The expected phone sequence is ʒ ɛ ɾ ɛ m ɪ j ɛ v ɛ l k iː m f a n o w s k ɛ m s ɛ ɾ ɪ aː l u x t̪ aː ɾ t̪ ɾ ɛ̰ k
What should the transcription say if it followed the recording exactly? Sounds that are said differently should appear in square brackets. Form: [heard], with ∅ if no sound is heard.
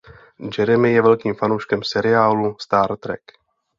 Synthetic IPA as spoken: [d͡ʒ] ɛ ɾ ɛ m ɪ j ɛ v ɛ l k iː m f a n o w [ʃ] k ɛ m s ɛ ɾ ɪ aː l u [s] t̪ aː ɾ t̪ ɾ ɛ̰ k

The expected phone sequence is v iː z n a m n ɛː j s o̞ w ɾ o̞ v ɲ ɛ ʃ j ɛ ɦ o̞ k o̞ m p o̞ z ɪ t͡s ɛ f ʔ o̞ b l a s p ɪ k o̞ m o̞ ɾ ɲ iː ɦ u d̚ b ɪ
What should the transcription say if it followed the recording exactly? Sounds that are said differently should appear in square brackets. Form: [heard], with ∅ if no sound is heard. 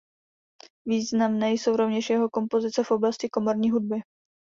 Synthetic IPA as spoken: v iː z n a m n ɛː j s o̞ w ɾ o̞ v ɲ ɛ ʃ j ɛ ɦ o̞ k o̞ m p o̞ z ɪ t͡s ɛ f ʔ o̞ b l a s [c] ɪ k o̞ m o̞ ɾ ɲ iː ɦ u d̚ b ɪ

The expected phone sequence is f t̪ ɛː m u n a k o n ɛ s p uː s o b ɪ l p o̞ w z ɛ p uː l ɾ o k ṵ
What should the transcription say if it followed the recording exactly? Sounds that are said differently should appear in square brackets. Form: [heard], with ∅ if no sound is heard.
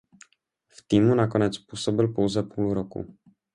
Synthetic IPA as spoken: f t̪ [iː] m u n a k o n ɛ [t͡s] p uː s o b ɪ l p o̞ w z ɛ p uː l ɾ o k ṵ

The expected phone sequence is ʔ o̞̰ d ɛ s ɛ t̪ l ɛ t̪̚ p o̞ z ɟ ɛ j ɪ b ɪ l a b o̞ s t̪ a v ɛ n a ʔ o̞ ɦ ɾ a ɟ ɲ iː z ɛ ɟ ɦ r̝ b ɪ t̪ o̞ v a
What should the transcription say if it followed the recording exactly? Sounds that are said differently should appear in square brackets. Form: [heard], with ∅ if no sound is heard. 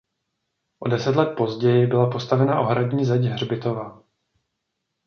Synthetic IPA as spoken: ʔ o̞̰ d ɛ s ɛ t̪ l ɛ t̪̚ p o̞ z ɟ ɛ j ɪ b ɪ l a [p] o̞ s t̪ a v ɛ n a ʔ o̞ ɦ ɾ a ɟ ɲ iː z ɛ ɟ ɦ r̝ b ɪ t̪ o̞ v a

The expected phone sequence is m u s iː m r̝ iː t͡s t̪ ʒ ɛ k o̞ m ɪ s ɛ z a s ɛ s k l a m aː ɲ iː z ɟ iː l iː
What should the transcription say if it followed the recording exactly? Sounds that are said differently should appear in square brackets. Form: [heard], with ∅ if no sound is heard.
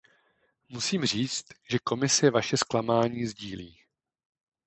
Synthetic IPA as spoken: m u s iː m r̝ iː t͡s t̪ ʒ ɛ k o̞ m ɪ s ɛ [v] a [ʃ] ɛ s k l a m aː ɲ iː z ɟ iː l iː

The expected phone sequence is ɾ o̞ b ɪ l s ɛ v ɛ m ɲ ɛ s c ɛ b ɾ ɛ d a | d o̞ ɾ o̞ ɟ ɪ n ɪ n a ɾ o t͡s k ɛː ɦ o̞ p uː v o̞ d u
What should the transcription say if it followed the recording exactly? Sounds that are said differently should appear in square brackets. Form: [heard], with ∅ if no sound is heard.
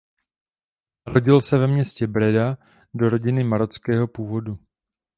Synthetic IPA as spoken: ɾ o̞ [ɟ] ɪ l s ɛ v ɛ m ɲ ɛ s c ɛ b ɾ ɛ d a | d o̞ ɾ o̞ ɟ ɪ n ɪ [m] a ɾ o t͡s k ɛː ɦ o̞ p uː v o̞ d u

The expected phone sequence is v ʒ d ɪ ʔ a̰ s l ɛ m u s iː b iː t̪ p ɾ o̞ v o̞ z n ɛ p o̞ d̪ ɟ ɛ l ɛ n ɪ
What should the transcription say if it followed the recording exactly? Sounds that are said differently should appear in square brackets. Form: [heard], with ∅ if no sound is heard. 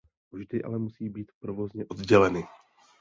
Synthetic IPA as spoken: v ʒ d ɪ ʔ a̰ [∅] l ɛ m u s iː b iː t̪ p ɾ o̞ v o̞ z [ɲ] ɛ [ʔ] o̞ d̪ ɟ ɛ l ɛ n ɪ

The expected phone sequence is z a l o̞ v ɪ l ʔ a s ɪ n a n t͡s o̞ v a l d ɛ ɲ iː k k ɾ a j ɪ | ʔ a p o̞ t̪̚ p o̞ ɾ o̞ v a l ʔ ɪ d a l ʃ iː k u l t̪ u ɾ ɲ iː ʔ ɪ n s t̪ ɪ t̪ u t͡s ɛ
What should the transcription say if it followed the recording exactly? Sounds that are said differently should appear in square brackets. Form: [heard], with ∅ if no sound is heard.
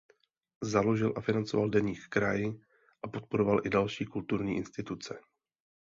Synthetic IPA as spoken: z a l o̞ [ʒ] ɪ l ʔ a [f] ɪ n a n t͡s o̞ v a l d ɛ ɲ iː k k ɾ a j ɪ | ʔ a p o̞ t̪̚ p o̞ ɾ o̞ v a l ʔ ɪ d a l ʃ iː k u l t̪ u ɾ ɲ iː ʔ ɪ n s t̪ ɪ t̪ u t͡s ɛ

